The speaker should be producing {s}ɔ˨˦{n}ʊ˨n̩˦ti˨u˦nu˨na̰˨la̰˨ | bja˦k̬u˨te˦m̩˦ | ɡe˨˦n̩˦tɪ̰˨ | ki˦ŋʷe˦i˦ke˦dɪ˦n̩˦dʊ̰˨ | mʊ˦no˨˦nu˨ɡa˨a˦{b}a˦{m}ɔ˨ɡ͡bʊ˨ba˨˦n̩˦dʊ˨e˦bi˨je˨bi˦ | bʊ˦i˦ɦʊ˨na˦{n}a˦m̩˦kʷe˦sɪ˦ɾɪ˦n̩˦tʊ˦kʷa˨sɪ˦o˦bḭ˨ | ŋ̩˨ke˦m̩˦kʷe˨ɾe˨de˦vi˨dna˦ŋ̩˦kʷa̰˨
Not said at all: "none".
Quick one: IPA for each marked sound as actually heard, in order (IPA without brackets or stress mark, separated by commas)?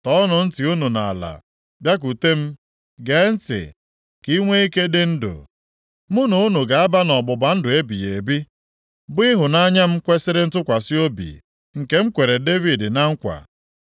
t, n, b, n, ɲ